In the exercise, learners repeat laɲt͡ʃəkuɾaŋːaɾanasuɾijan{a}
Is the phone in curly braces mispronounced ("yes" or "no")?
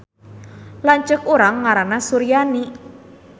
yes